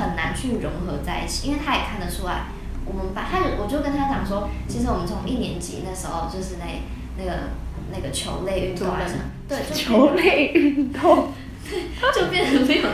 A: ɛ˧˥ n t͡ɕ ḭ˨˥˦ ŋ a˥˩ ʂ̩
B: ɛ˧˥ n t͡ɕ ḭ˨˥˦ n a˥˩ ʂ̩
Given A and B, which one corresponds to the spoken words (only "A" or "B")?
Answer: B